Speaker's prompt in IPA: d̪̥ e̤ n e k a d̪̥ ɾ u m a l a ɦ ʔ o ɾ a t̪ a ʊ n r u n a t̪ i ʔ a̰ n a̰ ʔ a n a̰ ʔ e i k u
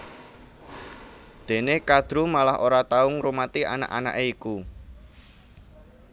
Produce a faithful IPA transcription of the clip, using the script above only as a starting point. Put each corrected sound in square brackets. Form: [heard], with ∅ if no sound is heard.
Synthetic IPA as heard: d̪̥ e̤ n e k a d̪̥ ɾ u m a l a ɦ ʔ o ɾ a t̪ a ʊ [ŋ] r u [m] a t̪ i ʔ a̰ n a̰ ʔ a n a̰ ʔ e i k u